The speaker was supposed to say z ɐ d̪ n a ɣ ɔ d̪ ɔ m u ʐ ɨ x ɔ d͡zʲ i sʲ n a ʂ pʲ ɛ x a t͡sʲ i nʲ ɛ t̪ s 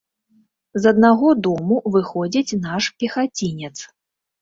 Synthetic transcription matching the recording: z ɐ d̪ n a ɣ ɔ d̪ ɔ m u v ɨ x ɔ d͡zʲ i t͡sʲ n a ʂ pʲ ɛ x a t͡sʲ i nʲ ɛ t̪ s

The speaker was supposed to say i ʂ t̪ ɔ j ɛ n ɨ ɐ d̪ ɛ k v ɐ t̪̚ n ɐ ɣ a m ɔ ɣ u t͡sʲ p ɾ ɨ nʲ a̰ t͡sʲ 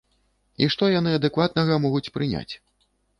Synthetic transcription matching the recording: i ʂ t̪ ɔ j a n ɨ ɐ d̪ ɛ k v a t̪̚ n ɐ ɣ ɐ m ɔ ɣ u t͡sʲ p ɾ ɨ nʲ a̰ t͡sʲ

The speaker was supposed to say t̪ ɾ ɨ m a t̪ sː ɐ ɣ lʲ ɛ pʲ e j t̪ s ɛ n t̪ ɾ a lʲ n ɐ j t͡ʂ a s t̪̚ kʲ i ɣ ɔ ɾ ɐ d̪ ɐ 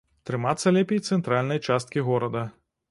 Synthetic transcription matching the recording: t̪ ɾ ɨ m a t̪ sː ɐ lʲ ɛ pʲ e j t̪ s ɛ n t̪ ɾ a lʲ n ɐ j t͡ʂ a s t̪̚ kʲ i ɣ ɔ ɾ ɐ d̪ ɐ

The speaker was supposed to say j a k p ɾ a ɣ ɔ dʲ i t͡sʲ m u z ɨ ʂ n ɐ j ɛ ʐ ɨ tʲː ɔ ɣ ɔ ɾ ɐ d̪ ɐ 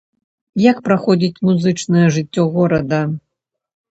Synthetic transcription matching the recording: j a k p ɾ a x ɔ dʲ i t͡sʲ m u z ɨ t͡ʂ n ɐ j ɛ ʐ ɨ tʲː ɔ ɣ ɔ ɾ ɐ d̪ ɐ

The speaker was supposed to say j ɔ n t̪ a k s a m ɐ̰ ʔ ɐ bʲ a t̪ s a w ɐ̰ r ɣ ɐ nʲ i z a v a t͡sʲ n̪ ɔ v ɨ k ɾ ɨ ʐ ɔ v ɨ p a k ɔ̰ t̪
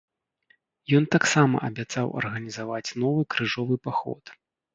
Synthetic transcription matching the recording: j ɔ n t̪ a k s a m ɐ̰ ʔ ɐ bʲ a t̪ s a w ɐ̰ r ɣ ɐ nʲ i z a v a t͡sʲ n̪ ɔ v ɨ k ɾ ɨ ʐ ɔ v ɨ p a x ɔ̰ t̪

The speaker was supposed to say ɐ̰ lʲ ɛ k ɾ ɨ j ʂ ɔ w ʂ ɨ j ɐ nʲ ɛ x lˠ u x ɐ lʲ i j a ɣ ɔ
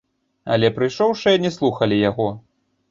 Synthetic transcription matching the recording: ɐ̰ lʲ ɛ p ɾ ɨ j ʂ ɔ w ʂ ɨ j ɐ nʲ ɛ s lˠ u x ɐ lʲ i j a ɣ ɔ

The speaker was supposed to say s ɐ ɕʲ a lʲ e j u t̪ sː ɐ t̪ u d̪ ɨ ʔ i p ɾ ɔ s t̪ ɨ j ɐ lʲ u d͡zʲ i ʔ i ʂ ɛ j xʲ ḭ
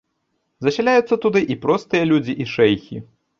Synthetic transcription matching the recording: z ɐ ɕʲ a lʲ a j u t̪ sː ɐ t̪ u d̪ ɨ ʔ i p ɾ ɔ s t̪ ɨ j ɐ lʲ u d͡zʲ i ʔ i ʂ ɛ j xʲ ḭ

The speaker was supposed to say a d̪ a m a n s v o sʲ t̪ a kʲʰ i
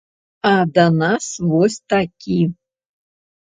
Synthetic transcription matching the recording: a d̪ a n a s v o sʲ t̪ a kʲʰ i

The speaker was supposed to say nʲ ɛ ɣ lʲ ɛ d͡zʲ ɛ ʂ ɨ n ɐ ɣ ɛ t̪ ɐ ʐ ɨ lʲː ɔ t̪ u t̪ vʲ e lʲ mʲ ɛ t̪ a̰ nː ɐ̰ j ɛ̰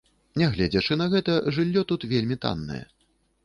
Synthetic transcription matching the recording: nʲ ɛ ɣ lʲ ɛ d͡zʲ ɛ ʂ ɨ n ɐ ɣ ɛ t̪ ɐ ʐ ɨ lʲː ɔ t̪ u t̪ vʲ e lʲ mʲ i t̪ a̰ nː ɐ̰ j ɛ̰

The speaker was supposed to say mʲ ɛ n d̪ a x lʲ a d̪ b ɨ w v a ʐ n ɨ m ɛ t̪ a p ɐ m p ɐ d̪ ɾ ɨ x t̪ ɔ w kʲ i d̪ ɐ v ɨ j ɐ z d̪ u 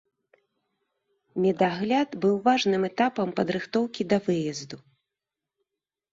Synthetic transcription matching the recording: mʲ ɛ d̪ a ɣ lʲ a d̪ b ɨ w v a ʐ n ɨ m ɛ t̪ a p ɐ m p ɐ d̪ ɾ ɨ x t̪ ɔ w kʲ i d̪ ɐ v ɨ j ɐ z d̪ u

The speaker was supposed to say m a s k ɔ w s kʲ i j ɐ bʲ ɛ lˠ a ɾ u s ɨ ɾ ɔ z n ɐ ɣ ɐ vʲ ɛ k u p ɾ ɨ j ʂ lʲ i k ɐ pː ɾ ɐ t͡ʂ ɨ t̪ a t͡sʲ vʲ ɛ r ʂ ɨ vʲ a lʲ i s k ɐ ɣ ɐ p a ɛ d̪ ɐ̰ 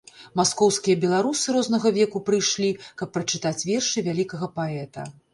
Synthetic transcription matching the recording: m a s k ɔ w s kʲ i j ɐ bʲ ɛ lˠ a ɾ u s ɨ ɾ ɔ z n ɐ ɣ ɐ vʲ ɛ k u p ɾ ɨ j ʂ lʲ i k ɐ pː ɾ ɐ t͡ʂ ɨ t̪ a t͡sʲ vʲ ɛ r ʂ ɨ vʲ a lʲ i k ɐ ɣ ɐ p a ɛ t̪ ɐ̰

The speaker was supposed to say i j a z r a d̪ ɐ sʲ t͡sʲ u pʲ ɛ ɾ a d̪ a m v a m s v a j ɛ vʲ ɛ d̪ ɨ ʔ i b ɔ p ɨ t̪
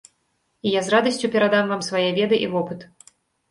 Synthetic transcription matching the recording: i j a z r a d̪ ɐ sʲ t͡sʲ u pʲ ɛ ɾ a d̪ a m v a m s v a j ɛ vʲ ɛ d̪ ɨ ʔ i v ɔ p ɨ t̪

